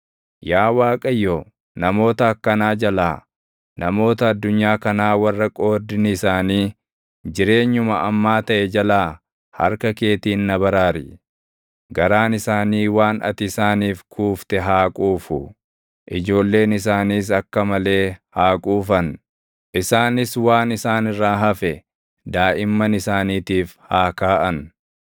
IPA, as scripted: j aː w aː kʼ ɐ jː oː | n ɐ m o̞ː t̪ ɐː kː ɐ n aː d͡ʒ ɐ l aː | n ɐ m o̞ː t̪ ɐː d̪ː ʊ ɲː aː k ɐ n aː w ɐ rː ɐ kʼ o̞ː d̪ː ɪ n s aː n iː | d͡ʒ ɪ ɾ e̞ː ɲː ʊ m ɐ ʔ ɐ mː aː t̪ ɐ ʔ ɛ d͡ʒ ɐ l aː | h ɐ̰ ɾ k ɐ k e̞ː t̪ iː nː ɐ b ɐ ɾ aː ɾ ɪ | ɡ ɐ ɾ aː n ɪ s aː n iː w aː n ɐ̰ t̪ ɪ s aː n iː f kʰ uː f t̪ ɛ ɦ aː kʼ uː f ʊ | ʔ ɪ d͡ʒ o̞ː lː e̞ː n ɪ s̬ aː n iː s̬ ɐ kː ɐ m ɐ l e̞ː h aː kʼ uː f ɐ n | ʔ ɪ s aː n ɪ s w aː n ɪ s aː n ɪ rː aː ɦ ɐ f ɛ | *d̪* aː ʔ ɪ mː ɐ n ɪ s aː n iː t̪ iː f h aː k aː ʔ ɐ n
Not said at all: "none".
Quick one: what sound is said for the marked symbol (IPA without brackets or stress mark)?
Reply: d̪